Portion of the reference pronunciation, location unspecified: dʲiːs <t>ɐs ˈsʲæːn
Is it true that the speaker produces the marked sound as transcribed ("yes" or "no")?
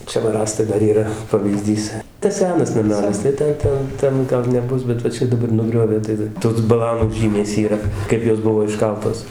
yes